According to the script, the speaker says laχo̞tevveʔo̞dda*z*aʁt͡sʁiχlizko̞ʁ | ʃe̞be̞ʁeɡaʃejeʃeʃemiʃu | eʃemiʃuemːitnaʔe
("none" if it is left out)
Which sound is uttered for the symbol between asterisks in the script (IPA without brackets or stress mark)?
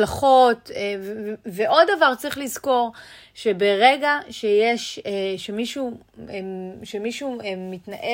v